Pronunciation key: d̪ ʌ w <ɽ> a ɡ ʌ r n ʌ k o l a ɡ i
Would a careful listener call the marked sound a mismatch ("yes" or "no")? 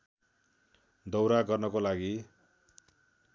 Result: yes